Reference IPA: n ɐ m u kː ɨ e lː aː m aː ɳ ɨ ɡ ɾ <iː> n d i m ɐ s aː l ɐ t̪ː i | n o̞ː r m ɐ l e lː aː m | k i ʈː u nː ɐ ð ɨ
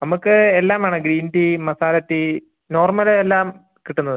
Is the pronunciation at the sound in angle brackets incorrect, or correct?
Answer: correct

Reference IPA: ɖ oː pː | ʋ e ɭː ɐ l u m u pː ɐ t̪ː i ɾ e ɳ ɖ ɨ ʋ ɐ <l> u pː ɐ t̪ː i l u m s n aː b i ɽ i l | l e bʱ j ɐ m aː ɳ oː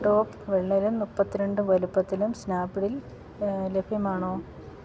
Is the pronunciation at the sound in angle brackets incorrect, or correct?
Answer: correct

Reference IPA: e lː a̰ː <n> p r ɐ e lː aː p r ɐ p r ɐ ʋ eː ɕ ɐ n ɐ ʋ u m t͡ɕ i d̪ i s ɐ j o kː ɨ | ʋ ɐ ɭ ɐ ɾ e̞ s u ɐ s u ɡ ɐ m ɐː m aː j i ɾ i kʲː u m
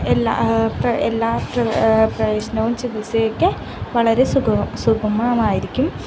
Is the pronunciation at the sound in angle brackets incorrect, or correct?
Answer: incorrect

